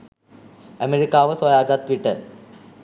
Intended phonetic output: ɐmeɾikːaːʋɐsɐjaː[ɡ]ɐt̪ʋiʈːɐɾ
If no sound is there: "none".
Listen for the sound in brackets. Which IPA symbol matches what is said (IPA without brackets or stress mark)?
ɡ